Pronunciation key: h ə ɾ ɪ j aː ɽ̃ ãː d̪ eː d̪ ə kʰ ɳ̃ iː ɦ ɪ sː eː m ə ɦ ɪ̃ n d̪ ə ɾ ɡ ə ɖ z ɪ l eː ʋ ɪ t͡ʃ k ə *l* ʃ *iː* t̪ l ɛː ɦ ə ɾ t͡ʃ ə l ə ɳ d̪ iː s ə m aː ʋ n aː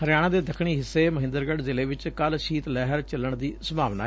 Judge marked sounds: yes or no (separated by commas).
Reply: yes, yes